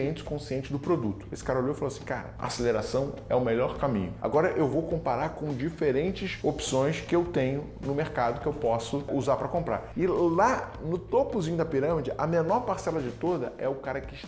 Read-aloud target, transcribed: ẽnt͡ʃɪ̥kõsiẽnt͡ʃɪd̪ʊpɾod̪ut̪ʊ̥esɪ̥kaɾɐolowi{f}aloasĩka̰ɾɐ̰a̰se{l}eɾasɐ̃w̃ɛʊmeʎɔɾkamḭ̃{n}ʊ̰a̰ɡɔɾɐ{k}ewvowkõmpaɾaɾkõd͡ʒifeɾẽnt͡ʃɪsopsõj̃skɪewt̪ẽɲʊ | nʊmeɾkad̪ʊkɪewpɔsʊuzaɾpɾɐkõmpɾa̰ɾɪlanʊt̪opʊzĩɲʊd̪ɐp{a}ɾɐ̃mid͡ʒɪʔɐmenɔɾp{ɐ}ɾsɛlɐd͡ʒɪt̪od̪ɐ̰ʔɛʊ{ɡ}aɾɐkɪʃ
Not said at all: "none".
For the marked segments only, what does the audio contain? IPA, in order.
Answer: f, l, ɲ, ʔ, i, a, k

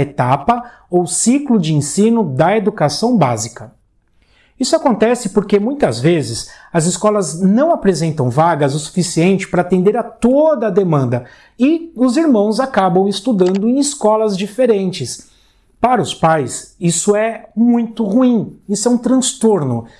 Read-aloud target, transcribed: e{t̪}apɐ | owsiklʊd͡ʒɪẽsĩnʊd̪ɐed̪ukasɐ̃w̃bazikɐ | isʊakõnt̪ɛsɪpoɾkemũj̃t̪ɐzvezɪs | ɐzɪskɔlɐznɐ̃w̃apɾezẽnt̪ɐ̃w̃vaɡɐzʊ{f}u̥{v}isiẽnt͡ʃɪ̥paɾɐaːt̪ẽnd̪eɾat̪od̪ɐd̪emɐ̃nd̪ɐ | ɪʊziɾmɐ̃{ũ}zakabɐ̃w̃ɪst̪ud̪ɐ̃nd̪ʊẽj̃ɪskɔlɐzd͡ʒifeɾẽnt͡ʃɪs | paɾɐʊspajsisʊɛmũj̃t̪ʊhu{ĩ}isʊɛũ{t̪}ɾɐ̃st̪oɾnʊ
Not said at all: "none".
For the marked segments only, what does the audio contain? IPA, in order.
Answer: t̪, s, f, w̃, ĩ, t̪

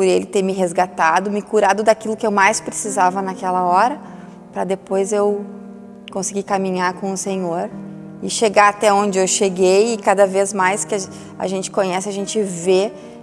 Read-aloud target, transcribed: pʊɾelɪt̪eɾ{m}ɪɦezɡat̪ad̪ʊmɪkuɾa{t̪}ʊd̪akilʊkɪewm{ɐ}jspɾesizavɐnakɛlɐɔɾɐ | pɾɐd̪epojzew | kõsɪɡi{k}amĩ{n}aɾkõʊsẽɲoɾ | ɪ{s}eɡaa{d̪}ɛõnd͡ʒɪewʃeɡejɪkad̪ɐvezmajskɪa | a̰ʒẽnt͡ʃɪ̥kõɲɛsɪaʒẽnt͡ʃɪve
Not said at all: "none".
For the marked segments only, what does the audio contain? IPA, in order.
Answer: m, d̪, a, k, ɲ, ʃ, t̪

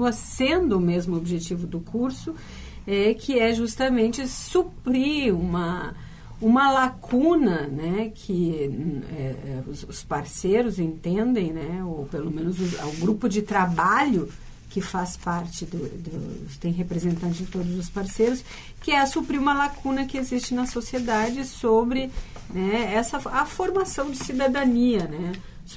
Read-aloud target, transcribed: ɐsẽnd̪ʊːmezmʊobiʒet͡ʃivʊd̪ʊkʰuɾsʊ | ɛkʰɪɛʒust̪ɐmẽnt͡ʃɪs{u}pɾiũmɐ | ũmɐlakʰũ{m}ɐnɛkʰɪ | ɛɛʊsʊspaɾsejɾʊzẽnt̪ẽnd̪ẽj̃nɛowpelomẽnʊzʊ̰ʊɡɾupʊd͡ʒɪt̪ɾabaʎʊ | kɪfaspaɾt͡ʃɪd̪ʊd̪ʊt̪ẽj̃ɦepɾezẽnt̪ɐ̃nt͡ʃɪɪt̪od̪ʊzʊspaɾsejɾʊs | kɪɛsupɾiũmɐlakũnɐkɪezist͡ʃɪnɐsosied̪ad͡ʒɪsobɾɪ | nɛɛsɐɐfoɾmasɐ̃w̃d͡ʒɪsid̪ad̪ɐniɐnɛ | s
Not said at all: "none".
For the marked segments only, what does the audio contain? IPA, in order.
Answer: u, n

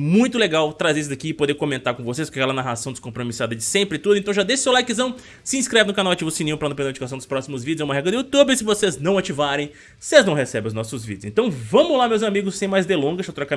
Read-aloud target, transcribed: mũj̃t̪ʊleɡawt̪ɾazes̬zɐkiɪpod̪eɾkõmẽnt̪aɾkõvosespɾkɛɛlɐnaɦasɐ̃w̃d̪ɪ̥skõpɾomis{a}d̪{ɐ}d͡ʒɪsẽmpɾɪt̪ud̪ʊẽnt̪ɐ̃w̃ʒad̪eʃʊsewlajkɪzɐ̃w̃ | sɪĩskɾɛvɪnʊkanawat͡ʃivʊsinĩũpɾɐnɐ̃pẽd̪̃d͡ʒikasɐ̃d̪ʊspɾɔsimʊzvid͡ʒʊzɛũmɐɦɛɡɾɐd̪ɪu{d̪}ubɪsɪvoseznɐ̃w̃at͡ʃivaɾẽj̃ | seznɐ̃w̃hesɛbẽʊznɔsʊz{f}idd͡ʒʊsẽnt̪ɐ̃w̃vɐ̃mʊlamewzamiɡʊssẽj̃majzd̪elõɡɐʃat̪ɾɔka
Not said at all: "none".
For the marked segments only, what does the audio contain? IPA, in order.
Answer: a, ɐ, t̪, v

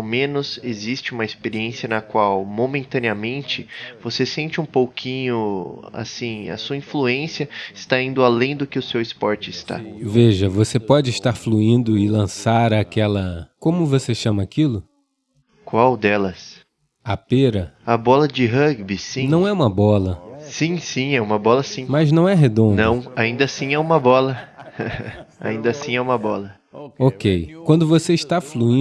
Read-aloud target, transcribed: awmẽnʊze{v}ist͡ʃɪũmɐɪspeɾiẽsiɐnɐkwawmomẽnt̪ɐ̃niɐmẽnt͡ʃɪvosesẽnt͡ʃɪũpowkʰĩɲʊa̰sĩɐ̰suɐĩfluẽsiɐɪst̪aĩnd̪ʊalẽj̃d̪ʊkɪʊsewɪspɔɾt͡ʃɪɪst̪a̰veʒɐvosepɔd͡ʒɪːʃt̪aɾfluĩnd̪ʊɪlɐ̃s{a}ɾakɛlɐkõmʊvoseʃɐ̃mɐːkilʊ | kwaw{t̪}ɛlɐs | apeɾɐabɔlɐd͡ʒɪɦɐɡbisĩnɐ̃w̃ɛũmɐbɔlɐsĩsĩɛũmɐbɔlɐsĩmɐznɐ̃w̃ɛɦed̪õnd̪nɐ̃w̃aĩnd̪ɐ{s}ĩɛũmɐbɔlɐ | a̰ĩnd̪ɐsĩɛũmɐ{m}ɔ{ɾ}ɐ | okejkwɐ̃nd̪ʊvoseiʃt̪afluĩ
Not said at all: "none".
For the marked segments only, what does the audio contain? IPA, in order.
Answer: z, a, d̪, s, b, l

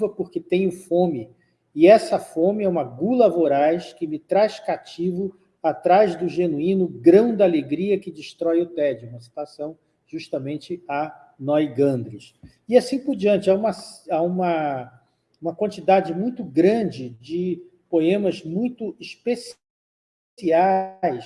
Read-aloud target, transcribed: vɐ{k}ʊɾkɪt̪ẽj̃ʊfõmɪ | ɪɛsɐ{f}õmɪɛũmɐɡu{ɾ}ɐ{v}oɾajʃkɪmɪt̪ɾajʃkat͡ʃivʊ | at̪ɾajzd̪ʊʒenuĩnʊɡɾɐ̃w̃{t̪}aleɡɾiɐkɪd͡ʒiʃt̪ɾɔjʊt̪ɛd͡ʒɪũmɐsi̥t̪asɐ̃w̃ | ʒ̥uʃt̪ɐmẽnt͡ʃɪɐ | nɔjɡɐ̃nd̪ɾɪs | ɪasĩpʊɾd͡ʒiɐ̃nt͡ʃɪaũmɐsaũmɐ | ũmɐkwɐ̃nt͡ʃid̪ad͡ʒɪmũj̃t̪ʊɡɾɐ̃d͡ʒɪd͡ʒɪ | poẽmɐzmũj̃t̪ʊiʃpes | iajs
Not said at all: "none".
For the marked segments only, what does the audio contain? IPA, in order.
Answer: p, f, l, v, d̪

